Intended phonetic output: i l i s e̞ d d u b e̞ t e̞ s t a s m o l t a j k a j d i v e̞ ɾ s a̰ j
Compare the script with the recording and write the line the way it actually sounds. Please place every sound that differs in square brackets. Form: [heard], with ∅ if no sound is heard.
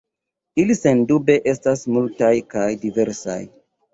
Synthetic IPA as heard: i l i s e̞ [n] d u b e̞ [ʔ] e̞ s t a s m [u] l t a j k a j d i v e̞ ɾ s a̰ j

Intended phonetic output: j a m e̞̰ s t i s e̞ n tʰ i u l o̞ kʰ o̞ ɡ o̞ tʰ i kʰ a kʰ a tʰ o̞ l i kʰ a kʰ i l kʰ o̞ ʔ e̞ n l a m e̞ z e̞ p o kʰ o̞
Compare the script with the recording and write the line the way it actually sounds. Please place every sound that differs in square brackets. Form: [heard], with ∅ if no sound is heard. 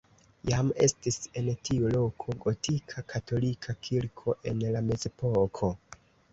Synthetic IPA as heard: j a m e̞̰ s t i s e̞ n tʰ i u l o̞ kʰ o̞ ɡ o̞ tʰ i kʰ a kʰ a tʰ o̞ l i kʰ a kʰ i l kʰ o̞ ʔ e̞ n l a m e̞ z e̞ p o kʰ o̞

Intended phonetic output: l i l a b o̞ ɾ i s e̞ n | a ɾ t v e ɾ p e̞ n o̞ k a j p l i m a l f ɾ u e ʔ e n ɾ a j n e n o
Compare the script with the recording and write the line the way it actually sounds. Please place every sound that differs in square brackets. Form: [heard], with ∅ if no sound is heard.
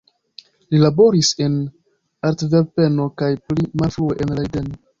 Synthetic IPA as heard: l i l a b o̞ ɾ i s e̞ n | a ɾ t v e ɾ p e̞ n o̞ k a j p l i m a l f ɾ u e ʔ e n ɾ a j [d] e n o

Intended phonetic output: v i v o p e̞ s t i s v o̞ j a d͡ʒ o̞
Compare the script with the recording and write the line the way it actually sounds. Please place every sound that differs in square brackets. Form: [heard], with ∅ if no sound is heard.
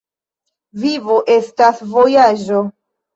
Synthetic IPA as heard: v i v o [ʔ] e̞ s t [a] s v o̞ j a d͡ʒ o̞

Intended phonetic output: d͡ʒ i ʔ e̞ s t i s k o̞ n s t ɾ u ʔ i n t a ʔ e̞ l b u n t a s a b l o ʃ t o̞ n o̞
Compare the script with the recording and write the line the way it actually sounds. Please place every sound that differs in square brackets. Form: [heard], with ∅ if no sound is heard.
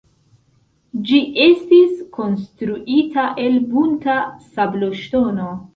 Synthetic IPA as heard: d͡ʒ i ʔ e̞ s t i s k o̞ n s t ɾ u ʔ i [∅] t a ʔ e̞ l b u n t a s a b l o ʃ t o̞ n o̞

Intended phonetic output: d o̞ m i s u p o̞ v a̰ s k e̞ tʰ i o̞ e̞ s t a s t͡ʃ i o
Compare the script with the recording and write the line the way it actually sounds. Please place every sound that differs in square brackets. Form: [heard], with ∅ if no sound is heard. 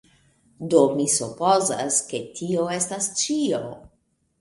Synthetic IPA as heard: d o̞ m i s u p o̞ [z] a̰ s k e̞ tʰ i o̞ e̞ s t a s t͡ʃ i o

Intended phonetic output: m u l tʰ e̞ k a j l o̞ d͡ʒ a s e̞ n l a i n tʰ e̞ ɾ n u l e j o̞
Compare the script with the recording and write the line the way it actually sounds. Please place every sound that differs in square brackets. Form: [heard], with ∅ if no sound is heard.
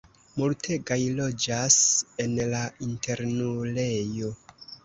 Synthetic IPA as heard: m u l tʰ e̞ [ɡ] a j l o̞ d͡ʒ a s e̞ n l a i n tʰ e̞ ɾ n u l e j o̞

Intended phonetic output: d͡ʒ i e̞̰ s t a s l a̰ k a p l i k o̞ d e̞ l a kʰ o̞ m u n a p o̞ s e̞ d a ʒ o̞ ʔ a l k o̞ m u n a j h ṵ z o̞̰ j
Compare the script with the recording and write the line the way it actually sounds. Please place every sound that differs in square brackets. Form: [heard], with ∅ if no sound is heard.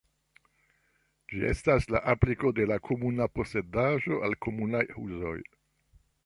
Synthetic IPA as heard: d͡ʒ i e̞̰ s t a s l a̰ [ʔ] a p l i k o̞ d e̞ l a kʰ o̞ m u n a p o̞ s e̞ d a ʒ o̞ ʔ a l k o̞ m u n a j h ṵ z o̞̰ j

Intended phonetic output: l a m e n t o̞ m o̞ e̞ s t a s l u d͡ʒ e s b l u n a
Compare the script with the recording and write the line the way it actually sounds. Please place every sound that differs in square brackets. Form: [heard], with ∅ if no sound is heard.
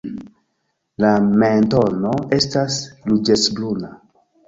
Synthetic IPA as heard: l a m e n t o̞ [n] o̞ e̞ s t a s l u d͡ʒ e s b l u n a

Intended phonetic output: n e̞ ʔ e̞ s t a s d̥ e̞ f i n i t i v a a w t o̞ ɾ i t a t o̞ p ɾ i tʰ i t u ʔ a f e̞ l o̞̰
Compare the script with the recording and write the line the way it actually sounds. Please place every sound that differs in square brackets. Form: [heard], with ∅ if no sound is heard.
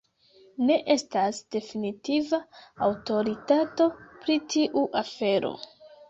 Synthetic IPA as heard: n e̞ ʔ e̞ s t a s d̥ e̞ f i n i t i v a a w t o̞ ɾ i t a t o̞ p ɾ i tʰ i [ʔ] u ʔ a f e̞ [ɾ] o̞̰

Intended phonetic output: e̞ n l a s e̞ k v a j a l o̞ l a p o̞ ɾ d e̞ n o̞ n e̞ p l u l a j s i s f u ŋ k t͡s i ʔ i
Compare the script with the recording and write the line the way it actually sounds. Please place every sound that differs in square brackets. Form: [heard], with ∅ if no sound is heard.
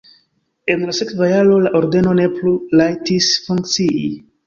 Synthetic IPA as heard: e̞ n l a s e̞ k v a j a l o̞ l a [ʔ] o̞ ɾ d e̞ n o̞ n e̞ p l u l a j [t] i s f u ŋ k t͡s i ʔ i

